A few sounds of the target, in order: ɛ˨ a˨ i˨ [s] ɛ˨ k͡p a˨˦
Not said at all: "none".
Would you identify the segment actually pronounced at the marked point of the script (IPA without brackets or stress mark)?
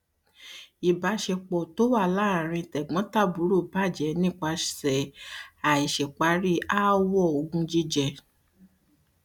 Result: ʃ